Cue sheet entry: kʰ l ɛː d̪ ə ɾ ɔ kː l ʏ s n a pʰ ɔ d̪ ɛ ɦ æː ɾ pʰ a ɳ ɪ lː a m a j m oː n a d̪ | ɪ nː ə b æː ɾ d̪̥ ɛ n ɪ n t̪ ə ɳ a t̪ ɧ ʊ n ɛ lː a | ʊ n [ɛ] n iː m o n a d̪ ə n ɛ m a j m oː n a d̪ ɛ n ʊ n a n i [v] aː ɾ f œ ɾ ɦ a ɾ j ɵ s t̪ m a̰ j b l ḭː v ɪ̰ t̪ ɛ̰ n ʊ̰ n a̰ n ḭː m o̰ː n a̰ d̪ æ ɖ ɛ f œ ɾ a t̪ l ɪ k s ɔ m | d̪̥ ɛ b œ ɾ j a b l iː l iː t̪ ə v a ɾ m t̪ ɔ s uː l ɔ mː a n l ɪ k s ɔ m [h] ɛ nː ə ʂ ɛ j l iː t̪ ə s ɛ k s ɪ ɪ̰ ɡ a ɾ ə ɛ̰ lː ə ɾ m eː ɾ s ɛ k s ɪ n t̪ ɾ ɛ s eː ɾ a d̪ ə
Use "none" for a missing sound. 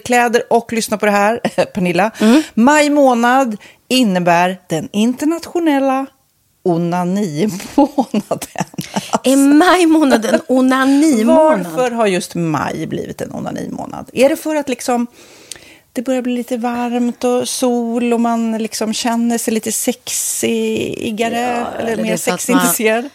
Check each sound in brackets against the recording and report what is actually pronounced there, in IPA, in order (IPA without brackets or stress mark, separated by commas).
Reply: a, v, ɕ